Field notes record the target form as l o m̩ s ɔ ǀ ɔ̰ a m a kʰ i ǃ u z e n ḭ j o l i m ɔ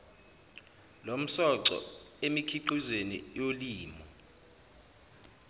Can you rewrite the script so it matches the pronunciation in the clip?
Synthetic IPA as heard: l o m̩ s ɔ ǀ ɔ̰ e m i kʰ i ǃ u z e n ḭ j o l iː m ɔ